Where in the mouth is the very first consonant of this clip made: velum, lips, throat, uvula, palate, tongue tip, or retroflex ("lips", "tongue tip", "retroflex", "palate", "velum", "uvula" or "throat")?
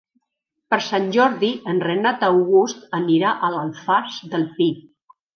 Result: lips